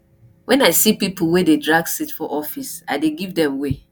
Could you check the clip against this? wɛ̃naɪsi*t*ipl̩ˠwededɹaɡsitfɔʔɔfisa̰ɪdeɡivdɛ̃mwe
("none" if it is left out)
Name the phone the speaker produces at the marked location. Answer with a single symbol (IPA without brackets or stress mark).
p